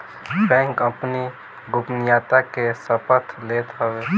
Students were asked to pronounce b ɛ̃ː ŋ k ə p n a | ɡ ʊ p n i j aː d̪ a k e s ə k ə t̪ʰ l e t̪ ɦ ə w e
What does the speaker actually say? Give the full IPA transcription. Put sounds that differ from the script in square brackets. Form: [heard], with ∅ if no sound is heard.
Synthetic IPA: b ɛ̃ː ŋ k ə p n [i] | ɡ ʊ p n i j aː [t̪] a k e s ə [p] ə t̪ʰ l e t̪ ɦ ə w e